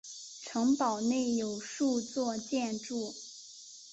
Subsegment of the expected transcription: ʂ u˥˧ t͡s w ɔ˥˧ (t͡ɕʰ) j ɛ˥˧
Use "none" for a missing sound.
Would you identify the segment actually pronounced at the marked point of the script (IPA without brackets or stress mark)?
t͡ɕ